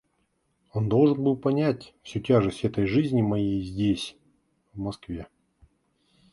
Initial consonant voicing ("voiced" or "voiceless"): voiced